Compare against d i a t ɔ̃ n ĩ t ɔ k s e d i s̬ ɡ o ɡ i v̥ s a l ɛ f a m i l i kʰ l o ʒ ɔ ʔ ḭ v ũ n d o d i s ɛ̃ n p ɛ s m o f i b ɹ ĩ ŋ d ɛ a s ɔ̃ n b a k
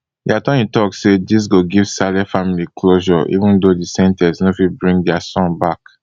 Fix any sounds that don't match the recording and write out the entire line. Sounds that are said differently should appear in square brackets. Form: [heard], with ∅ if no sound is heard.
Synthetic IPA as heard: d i a t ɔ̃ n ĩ t ɔ k s e d i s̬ ɡ o ɡ i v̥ s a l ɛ f a m i l i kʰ l o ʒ ɔ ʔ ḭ v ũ n d o d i s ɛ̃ n [t] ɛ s [n] o f i b ɹ ĩ ŋ d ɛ a s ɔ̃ n b a k